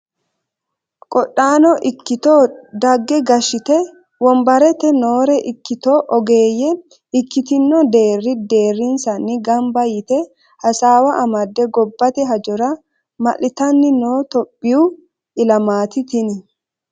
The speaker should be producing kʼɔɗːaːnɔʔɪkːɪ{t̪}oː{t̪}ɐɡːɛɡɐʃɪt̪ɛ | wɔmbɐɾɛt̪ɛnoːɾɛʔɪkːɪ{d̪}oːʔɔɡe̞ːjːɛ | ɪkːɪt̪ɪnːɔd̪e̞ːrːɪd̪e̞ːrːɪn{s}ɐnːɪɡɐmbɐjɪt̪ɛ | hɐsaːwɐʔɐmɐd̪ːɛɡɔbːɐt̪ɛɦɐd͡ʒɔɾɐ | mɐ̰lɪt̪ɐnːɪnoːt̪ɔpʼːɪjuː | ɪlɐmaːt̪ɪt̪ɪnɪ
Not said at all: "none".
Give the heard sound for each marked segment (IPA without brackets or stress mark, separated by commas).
t̪, d̪, t̪, s